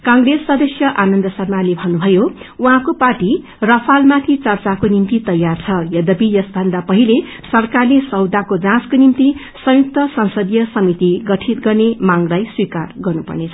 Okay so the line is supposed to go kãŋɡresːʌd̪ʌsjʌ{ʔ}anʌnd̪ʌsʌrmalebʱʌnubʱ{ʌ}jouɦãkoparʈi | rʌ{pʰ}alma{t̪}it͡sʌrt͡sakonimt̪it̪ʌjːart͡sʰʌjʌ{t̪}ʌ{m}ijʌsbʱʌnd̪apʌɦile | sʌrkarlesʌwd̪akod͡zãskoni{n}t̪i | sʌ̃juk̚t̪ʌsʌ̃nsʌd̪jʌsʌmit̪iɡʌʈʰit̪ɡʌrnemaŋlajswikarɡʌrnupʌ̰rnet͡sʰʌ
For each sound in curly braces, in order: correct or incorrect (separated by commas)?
correct, correct, correct, incorrect, incorrect, incorrect, incorrect